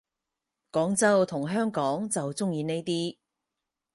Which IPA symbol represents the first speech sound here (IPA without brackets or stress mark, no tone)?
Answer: k